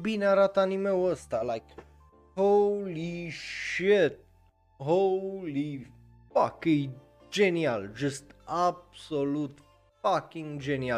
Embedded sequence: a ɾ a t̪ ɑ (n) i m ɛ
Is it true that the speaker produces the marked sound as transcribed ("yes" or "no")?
yes